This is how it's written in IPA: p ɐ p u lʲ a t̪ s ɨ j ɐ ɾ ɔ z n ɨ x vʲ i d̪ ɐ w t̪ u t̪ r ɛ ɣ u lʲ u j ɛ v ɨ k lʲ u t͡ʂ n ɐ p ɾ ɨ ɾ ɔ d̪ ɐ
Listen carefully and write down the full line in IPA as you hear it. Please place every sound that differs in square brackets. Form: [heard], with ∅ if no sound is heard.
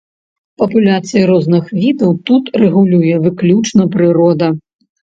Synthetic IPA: p ɐ p u lʲ a t̪ s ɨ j ɐ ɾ ɔ z n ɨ x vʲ i d̪ ɐ w t̪ u t̪ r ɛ ɣ u lʲ u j ɛ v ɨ k lʲ u t͡ʂ n ɐ p ɾ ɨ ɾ ɔ d̪ ɐ